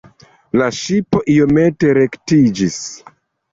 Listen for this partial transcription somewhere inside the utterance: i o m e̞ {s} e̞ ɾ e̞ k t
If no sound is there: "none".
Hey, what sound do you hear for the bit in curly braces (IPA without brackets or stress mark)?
t